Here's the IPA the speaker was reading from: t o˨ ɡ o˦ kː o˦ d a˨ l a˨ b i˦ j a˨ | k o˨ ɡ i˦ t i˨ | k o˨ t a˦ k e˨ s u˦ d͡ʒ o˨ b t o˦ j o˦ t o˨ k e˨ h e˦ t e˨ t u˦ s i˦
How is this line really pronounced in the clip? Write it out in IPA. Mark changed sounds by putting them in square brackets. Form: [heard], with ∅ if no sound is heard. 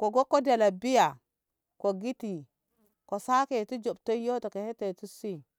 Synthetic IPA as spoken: [k] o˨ ɡ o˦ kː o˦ d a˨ l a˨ b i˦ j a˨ | k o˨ ɡ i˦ t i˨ | k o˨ [s] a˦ k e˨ [t] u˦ d͡ʒ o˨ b t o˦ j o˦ t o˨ k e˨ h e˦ t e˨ t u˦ s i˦